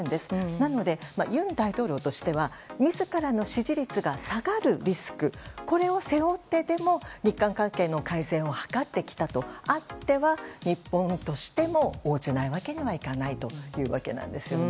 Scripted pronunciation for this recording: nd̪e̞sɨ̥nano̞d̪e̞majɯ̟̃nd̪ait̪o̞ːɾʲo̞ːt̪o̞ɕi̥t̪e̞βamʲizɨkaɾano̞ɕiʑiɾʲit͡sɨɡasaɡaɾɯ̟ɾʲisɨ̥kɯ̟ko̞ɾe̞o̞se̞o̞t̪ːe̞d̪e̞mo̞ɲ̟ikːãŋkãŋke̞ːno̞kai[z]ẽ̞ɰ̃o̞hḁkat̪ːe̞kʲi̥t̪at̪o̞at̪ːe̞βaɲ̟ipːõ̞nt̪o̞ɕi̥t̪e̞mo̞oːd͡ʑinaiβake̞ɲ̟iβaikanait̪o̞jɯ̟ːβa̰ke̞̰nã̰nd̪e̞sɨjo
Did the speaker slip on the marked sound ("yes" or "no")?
no